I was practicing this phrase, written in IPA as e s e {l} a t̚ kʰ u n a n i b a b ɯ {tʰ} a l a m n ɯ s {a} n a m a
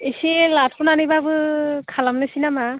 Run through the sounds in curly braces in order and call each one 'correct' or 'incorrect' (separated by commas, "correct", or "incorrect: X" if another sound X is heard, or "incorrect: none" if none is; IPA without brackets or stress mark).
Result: correct, incorrect: kʰ, incorrect: i